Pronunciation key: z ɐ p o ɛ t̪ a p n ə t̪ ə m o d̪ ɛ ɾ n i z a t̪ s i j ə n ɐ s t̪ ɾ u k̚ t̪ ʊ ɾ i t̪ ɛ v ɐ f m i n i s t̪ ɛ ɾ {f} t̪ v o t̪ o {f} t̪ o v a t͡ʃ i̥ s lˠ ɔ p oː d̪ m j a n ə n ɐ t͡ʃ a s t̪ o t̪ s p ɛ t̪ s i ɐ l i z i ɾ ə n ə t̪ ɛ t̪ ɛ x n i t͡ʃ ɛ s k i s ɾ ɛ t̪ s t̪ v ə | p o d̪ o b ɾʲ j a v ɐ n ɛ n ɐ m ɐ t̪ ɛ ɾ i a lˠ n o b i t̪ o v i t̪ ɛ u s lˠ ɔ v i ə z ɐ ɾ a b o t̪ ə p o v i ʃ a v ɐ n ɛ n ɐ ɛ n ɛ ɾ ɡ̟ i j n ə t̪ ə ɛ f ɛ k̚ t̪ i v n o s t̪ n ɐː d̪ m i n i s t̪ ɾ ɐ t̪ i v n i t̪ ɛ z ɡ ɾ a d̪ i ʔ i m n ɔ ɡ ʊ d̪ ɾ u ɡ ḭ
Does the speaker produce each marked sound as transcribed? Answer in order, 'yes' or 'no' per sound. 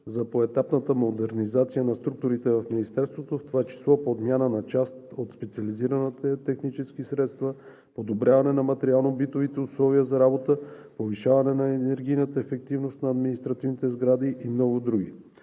no, yes

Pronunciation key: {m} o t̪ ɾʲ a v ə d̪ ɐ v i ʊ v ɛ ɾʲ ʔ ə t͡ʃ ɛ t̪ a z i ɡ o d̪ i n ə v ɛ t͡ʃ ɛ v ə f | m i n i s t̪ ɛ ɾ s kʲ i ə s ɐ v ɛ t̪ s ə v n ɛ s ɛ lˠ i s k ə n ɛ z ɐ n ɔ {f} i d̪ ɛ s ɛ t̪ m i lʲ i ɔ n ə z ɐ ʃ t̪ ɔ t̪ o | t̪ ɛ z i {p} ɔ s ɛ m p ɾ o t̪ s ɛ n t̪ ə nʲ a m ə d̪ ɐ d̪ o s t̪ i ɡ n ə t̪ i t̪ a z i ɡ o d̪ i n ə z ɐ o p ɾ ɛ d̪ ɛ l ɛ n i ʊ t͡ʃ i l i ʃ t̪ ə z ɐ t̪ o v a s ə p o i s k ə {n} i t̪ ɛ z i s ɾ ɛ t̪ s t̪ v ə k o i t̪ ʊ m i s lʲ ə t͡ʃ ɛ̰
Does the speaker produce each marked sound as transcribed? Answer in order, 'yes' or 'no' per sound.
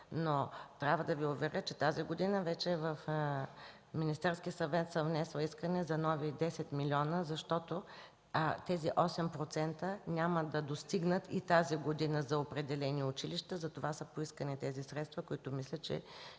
no, no, no, yes

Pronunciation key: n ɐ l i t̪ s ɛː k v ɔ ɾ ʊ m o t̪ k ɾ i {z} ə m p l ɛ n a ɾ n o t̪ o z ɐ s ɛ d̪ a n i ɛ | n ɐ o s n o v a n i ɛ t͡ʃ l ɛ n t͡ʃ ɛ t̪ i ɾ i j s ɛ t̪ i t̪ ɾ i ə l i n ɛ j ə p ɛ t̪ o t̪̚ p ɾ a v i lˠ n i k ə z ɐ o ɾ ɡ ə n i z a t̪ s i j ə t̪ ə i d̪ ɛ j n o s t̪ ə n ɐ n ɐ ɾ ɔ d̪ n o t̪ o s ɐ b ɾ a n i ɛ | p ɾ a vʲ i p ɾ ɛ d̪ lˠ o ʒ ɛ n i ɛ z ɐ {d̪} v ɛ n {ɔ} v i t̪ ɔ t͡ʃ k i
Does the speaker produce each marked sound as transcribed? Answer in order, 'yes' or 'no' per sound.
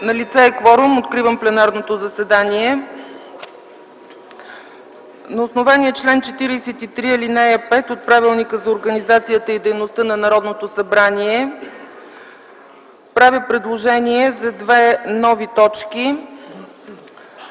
no, yes, yes

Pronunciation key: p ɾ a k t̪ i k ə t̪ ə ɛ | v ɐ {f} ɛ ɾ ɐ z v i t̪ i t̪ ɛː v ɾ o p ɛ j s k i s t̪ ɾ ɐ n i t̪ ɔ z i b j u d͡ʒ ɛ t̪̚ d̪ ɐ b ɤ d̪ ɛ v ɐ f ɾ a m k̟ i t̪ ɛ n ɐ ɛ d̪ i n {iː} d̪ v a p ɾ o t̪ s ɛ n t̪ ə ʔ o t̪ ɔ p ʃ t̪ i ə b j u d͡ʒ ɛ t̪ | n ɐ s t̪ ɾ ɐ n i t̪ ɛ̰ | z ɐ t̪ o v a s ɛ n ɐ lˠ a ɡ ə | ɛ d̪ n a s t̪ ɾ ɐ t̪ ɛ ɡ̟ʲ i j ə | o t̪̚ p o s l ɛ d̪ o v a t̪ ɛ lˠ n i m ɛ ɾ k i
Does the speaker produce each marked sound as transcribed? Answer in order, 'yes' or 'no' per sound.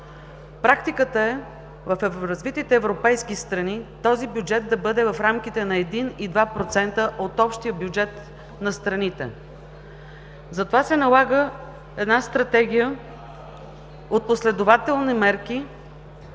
yes, no

